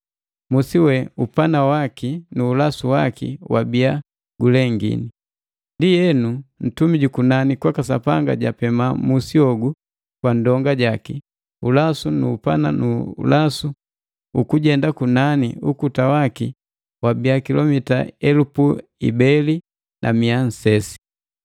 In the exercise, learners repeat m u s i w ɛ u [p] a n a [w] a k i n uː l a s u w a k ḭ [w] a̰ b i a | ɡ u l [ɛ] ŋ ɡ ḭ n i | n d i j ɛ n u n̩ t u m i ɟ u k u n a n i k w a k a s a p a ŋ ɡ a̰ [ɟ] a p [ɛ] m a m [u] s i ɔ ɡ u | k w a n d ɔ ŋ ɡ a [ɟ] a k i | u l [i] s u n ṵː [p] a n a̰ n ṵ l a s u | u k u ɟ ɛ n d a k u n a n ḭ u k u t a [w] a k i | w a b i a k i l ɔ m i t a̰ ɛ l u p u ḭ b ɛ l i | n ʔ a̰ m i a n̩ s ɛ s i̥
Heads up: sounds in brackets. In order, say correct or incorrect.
correct, correct, correct, correct, correct, correct, correct, correct, incorrect: a, correct, correct

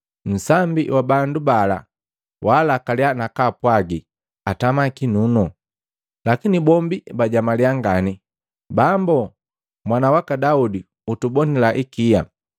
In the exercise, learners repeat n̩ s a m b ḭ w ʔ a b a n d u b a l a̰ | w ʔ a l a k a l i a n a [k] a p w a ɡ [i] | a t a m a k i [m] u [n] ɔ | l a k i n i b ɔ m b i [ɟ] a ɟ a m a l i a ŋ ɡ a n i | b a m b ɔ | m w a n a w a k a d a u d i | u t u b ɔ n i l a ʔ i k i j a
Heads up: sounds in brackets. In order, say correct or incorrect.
correct, correct, incorrect: n, correct, incorrect: b

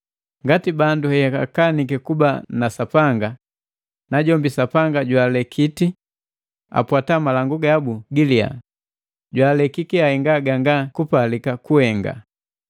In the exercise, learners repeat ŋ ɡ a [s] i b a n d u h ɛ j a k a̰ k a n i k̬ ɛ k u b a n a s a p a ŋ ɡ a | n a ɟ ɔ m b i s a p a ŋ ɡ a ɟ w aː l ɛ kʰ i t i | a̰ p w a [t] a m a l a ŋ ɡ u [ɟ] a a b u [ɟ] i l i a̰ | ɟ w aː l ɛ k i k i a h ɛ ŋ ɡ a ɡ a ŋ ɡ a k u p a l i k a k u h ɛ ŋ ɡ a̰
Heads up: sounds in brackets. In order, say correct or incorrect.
incorrect: t, correct, incorrect: ɡ, incorrect: ɡ

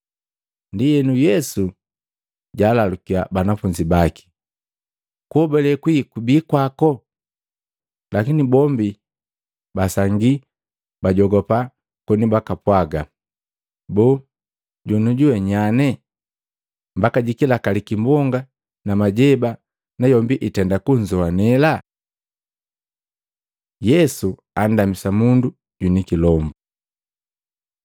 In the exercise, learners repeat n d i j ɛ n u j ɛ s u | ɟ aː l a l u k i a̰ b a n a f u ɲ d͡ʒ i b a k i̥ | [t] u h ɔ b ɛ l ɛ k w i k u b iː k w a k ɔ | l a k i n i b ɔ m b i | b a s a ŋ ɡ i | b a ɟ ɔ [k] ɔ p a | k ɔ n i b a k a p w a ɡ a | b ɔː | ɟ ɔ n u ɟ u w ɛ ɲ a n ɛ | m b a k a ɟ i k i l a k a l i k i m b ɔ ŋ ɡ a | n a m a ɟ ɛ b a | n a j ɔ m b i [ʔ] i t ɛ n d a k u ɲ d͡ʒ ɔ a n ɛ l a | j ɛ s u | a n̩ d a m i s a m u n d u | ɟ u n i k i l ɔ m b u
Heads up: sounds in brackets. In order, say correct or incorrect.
incorrect: k, incorrect: ɡ, correct

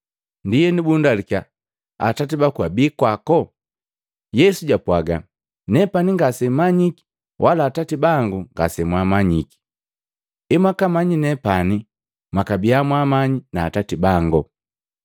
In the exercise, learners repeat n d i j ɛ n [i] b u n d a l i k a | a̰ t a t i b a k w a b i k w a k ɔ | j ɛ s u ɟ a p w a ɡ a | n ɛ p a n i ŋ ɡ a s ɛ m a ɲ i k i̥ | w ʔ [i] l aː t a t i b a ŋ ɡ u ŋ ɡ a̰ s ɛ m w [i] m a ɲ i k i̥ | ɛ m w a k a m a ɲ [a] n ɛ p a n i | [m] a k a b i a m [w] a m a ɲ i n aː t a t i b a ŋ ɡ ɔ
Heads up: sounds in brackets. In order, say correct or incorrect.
correct, incorrect: a, incorrect: a, incorrect: i, correct, correct

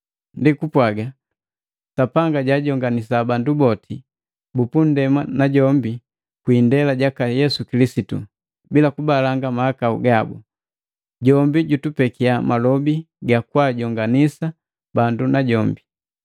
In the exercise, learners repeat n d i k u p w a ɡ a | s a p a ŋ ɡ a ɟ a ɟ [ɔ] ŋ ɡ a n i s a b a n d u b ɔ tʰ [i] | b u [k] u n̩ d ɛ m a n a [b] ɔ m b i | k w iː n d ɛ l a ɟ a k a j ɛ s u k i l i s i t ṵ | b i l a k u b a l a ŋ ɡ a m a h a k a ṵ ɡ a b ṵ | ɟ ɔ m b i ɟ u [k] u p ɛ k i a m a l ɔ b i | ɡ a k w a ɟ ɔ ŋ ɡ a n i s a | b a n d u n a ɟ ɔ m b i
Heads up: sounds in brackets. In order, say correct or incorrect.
correct, correct, incorrect: p, incorrect: ɟ, incorrect: t

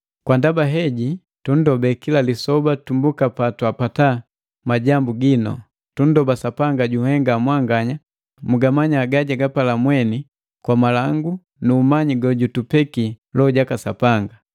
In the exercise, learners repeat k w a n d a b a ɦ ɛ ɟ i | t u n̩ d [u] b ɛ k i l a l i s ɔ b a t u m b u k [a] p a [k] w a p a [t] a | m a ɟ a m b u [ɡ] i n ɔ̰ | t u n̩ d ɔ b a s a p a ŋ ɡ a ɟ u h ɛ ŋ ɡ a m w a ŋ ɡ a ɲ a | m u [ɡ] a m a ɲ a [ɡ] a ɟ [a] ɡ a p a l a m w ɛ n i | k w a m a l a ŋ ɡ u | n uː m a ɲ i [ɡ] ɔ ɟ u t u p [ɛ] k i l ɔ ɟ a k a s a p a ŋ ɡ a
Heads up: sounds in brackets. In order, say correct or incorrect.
incorrect: ɔ, correct, incorrect: t, correct, correct, correct, correct, correct, correct, correct

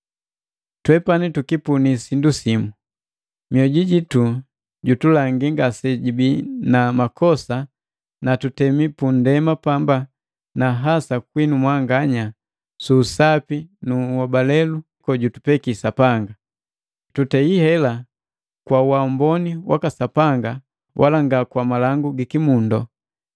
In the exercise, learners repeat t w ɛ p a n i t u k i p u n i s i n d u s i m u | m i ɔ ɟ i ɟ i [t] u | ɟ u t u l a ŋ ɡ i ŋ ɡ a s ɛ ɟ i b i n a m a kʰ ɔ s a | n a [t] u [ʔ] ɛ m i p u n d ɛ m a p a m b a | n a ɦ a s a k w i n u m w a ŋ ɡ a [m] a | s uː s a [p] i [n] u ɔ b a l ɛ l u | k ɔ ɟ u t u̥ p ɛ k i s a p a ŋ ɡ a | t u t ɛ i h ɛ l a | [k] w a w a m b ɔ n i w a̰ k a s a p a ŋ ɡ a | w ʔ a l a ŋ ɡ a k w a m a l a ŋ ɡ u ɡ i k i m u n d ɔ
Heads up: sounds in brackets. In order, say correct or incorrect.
correct, correct, incorrect: t, incorrect: ɲ, correct, correct, correct

